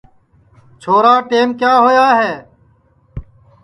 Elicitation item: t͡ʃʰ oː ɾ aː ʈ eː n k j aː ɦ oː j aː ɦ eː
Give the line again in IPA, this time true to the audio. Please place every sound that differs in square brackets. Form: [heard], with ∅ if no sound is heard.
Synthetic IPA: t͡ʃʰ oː ɾ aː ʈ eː [m] k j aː ɦ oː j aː ɦ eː